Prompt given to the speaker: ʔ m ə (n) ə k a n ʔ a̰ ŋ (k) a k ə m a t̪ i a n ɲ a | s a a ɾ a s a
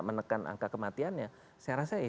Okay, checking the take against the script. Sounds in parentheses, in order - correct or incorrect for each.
correct, correct

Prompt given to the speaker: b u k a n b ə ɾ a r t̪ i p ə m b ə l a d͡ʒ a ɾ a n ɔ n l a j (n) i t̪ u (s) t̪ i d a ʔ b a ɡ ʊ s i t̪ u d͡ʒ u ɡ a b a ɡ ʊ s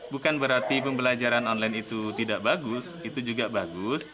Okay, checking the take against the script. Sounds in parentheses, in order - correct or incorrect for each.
correct, incorrect

